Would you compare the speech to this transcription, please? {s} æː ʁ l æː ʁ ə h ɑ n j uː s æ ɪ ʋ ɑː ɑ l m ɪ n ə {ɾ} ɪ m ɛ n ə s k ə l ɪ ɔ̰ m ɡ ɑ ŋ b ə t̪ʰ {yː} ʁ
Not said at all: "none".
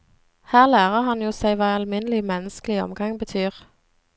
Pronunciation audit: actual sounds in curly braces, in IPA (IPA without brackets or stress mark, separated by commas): h, l, yː